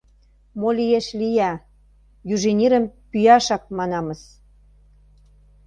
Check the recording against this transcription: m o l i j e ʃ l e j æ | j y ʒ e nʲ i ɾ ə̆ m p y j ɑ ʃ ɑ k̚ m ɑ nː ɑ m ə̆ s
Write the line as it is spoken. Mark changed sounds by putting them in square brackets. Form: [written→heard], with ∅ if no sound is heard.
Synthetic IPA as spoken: m o l i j e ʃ l [e→i] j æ | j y ʒ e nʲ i ɾ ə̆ m p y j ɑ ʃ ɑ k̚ m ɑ [nː→n] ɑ m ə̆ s